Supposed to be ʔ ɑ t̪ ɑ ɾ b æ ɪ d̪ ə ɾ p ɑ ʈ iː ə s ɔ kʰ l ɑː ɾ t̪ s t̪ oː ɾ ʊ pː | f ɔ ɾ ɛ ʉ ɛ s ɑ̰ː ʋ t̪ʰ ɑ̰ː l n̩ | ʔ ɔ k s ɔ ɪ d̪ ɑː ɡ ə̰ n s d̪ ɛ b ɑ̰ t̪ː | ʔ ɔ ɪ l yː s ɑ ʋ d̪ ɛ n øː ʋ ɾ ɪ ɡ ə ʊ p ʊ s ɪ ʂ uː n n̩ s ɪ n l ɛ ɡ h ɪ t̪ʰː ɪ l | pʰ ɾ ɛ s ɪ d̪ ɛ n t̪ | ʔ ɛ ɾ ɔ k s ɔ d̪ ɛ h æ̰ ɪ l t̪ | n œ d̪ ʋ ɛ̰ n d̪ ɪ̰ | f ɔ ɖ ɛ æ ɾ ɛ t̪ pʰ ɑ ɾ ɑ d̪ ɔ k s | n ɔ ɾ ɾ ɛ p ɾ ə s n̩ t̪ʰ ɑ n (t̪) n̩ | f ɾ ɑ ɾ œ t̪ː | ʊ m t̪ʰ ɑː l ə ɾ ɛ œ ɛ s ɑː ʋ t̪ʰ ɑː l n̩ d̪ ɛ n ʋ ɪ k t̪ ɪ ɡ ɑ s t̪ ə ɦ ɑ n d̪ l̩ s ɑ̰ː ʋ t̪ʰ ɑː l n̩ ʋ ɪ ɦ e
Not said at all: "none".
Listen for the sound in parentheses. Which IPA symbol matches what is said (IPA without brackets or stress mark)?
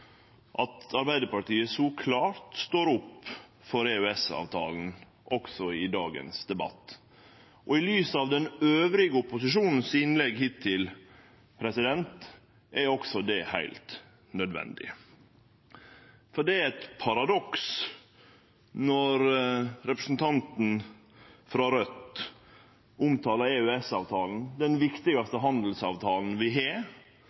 t̪